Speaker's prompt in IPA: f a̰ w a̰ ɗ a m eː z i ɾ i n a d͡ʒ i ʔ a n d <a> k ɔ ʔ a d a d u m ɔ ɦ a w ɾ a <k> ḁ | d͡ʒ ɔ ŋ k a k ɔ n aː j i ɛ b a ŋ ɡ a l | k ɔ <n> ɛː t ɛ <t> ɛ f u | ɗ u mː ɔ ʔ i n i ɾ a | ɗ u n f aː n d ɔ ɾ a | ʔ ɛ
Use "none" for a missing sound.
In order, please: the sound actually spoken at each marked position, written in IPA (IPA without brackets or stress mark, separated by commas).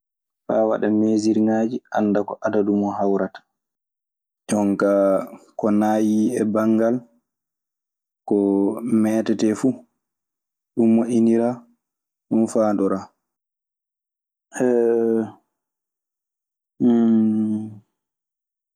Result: a, t, m, t